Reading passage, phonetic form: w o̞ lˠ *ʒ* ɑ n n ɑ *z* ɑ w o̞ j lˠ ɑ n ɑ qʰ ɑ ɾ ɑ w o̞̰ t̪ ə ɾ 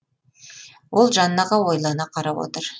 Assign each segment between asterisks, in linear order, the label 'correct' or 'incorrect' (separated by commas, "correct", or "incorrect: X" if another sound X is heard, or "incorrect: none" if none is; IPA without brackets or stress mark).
correct, incorrect: ʁ